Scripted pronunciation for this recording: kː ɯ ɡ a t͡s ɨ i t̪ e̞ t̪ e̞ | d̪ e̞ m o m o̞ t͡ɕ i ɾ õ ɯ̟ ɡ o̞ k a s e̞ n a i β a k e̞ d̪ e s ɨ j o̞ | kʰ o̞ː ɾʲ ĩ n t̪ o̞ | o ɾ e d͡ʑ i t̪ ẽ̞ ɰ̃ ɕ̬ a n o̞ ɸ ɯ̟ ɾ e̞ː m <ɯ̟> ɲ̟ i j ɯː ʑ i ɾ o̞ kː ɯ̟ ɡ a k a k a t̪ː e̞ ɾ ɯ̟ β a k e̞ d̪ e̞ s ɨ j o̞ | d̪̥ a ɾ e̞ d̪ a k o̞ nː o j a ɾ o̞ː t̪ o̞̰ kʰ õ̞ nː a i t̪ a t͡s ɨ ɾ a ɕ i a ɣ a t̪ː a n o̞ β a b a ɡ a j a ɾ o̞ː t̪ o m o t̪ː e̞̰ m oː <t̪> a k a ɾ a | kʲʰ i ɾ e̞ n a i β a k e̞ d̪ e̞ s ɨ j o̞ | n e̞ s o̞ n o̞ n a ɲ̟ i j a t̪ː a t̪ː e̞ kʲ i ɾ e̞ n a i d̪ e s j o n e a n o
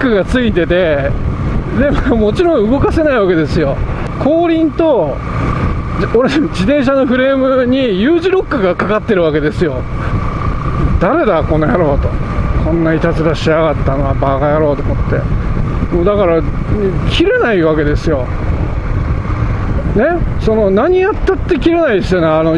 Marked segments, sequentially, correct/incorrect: correct, incorrect: d̪

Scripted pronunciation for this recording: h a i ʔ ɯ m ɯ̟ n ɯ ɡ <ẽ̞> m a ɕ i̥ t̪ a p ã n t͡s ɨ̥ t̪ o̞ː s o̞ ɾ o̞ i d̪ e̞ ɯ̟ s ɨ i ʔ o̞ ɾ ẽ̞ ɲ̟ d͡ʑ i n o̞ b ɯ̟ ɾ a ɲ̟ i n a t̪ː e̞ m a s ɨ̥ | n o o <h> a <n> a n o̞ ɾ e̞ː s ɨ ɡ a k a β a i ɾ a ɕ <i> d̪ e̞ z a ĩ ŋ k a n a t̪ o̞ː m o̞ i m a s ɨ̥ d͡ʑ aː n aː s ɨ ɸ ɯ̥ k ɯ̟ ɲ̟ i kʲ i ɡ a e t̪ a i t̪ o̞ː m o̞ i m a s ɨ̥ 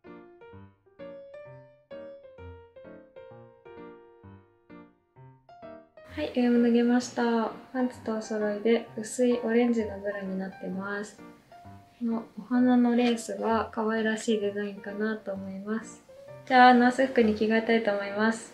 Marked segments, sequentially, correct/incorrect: incorrect: e̞, correct, correct, incorrect: iː

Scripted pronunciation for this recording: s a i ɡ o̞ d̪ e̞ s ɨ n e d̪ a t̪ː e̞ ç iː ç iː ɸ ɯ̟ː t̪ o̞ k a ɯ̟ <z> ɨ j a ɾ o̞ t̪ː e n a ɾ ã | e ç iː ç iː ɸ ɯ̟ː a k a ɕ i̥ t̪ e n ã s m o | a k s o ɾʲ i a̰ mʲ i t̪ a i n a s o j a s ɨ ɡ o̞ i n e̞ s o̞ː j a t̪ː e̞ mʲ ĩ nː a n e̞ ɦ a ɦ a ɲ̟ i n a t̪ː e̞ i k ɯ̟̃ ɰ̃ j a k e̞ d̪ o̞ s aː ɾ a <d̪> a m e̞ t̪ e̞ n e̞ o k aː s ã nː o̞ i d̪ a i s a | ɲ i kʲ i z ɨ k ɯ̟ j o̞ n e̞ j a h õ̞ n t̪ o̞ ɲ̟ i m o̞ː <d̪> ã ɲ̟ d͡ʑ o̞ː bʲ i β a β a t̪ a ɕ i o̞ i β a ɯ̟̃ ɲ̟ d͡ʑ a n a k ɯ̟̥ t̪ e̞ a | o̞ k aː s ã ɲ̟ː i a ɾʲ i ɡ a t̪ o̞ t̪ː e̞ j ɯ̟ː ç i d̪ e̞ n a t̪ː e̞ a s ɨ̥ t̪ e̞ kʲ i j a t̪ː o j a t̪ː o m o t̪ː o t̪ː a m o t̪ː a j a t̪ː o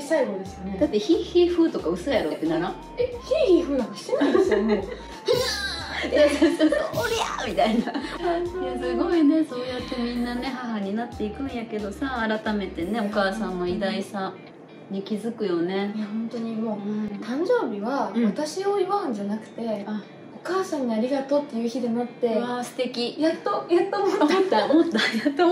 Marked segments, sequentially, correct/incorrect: incorrect: s, incorrect: t̪, incorrect: t̪

